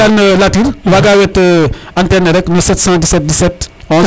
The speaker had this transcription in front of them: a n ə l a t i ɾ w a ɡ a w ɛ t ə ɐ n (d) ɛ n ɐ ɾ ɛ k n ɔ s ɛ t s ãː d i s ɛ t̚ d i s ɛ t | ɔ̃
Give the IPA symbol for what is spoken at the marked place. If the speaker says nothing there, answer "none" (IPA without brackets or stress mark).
t